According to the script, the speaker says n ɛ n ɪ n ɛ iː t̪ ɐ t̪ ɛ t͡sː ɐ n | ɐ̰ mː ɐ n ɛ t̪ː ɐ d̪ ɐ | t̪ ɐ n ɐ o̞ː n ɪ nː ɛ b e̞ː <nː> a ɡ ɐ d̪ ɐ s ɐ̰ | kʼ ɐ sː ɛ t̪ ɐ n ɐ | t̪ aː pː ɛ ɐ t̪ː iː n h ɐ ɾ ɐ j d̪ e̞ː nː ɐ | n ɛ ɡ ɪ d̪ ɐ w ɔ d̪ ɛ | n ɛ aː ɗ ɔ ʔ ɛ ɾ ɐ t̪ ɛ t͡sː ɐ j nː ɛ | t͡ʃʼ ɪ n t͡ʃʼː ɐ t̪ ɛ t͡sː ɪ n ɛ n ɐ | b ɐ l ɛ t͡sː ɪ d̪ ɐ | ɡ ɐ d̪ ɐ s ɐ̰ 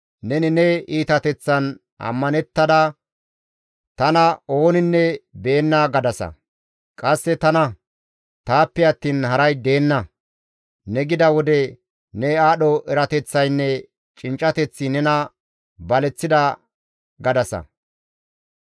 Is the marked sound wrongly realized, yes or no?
no